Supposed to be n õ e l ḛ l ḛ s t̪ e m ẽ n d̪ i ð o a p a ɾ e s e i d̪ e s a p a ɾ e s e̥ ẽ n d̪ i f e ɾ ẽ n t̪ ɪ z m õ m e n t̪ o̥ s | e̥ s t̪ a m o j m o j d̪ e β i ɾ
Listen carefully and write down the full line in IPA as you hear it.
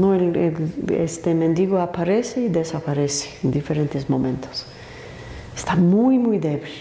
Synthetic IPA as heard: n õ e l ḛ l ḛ s t̪ e m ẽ n d̪ i ɣ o a p a ɾ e s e i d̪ e s a p a ɾ e s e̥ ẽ n d̪ i f e ɾ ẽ n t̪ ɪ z m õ m ẽ n t̪ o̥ s | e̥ s t̪ a m u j m u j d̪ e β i l